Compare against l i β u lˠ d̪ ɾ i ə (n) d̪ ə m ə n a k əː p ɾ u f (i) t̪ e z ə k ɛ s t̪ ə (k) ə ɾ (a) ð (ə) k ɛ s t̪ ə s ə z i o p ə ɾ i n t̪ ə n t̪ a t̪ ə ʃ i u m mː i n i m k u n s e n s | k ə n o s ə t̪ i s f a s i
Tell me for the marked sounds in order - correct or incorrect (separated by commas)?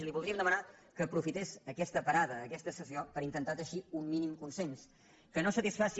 incorrect, correct, incorrect, correct, incorrect